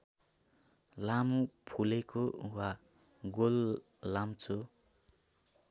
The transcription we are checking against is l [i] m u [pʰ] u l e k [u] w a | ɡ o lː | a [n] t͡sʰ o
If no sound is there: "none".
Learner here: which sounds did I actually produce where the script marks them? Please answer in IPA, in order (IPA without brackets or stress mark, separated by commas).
a, pʰ, o, m